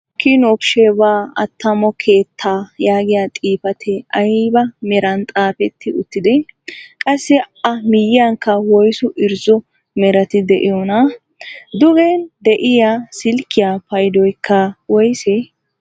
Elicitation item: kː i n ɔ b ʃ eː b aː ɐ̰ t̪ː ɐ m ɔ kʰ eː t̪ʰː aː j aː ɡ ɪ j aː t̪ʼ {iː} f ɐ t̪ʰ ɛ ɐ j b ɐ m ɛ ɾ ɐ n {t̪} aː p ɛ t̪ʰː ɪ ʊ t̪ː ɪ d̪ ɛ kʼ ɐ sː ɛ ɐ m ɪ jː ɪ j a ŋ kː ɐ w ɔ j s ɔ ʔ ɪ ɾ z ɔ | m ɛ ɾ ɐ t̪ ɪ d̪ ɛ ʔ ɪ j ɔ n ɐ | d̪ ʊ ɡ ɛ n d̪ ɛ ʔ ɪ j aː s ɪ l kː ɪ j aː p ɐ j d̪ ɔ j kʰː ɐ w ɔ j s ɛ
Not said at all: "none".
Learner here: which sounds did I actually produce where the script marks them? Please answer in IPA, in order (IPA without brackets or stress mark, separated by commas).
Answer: iː, t̪ʼ